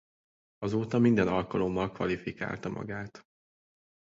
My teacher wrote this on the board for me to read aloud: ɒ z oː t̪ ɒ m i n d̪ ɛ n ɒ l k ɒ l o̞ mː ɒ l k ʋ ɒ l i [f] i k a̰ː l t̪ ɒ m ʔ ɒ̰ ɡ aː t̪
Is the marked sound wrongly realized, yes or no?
no